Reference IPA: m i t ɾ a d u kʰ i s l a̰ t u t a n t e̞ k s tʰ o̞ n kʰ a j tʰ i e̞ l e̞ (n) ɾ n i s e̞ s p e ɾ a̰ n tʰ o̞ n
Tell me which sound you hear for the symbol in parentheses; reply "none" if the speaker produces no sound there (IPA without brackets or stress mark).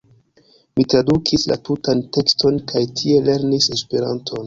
none